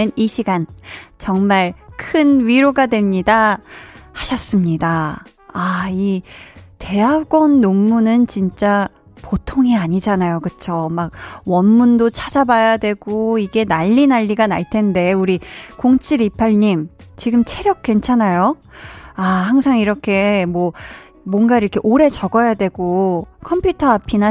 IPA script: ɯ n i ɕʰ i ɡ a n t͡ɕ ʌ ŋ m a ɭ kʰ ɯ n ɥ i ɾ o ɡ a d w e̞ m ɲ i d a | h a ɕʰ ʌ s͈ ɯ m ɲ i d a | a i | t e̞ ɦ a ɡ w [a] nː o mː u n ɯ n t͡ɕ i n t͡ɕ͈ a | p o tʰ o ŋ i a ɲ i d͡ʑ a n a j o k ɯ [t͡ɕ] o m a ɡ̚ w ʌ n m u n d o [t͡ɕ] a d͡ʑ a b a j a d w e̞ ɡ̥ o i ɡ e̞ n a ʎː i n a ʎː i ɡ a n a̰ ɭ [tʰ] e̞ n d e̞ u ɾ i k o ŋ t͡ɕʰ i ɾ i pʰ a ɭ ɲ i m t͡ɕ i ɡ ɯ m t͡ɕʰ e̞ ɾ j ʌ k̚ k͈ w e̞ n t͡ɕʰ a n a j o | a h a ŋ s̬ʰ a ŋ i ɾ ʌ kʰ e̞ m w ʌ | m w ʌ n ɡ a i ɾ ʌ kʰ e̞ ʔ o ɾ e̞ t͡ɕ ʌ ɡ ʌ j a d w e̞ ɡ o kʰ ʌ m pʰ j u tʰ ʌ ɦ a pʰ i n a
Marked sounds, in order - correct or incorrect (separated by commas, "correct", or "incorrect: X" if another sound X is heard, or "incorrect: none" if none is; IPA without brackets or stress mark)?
incorrect: ʌ, incorrect: t͡ɕʰ, incorrect: t͡ɕʰ, correct